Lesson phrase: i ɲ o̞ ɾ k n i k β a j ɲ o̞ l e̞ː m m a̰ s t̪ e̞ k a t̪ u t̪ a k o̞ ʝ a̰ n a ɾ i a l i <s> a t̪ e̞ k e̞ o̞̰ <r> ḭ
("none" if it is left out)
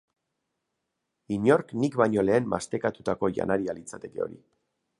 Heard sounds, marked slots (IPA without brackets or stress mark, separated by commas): t͡s, ɾ